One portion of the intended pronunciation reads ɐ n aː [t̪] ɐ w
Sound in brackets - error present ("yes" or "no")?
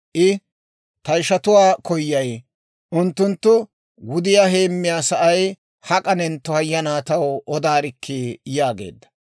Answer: no